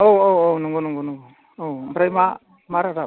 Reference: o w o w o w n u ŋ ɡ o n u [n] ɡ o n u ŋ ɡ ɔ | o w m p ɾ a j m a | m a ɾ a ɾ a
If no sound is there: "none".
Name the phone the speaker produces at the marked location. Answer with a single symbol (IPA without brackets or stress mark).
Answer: ŋ